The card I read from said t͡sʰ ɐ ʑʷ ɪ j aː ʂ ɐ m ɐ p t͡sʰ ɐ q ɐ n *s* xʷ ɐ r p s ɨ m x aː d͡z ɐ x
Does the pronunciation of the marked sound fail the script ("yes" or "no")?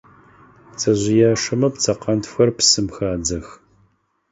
yes